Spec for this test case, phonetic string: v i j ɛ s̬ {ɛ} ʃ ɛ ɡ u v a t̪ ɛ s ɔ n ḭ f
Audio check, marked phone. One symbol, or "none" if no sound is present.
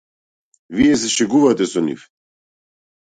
ɛ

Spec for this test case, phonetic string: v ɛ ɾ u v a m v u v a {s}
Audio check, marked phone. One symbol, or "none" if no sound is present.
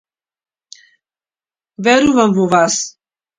s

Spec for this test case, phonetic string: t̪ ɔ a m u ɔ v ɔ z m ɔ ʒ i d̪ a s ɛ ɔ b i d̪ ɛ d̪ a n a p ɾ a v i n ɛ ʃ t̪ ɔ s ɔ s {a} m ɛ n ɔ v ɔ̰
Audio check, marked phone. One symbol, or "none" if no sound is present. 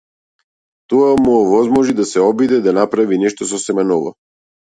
ɛ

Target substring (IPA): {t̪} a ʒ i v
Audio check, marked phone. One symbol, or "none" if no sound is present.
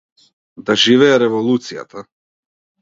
d̪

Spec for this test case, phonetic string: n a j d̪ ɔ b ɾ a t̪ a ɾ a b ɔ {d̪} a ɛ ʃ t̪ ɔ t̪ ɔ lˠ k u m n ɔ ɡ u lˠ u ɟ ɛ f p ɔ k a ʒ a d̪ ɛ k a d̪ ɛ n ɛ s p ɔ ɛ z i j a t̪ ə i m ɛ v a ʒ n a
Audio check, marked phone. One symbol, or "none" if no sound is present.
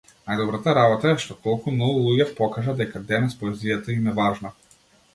t̪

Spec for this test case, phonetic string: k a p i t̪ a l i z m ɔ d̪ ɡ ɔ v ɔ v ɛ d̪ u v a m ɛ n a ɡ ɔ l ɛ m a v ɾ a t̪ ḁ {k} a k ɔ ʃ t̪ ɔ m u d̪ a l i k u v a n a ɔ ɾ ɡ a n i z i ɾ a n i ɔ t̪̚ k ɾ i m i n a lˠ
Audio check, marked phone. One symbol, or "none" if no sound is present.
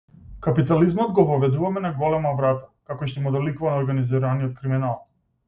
k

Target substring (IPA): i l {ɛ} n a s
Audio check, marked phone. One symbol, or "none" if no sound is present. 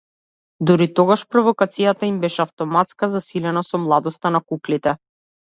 ɛ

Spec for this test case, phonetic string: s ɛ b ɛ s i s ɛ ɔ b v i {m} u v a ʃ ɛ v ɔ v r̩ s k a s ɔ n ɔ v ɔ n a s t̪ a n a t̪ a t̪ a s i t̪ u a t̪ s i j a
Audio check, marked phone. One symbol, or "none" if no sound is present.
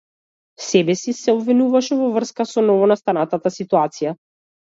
n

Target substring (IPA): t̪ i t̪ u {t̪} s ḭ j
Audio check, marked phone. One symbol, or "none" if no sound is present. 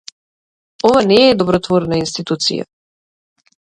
t̪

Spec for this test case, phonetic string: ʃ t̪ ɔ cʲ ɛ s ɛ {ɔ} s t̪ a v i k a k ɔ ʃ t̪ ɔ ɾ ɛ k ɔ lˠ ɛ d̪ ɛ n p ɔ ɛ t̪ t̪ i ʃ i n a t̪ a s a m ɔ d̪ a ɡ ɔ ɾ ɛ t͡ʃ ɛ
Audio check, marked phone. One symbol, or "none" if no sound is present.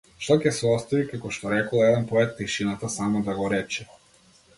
ɔ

